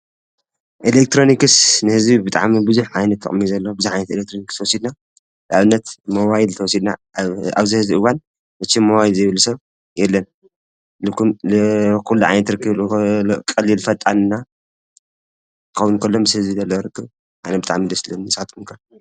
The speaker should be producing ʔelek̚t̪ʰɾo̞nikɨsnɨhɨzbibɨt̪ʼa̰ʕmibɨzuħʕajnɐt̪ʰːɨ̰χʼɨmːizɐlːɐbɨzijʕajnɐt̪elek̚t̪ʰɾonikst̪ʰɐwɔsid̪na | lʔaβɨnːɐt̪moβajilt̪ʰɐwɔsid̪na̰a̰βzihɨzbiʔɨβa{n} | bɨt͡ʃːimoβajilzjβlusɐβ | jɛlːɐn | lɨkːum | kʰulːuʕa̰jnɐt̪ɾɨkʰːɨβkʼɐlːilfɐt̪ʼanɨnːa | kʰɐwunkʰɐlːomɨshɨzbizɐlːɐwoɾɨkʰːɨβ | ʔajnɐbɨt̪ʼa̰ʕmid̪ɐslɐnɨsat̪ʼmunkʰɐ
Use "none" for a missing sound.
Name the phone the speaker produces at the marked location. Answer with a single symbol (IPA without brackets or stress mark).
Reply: n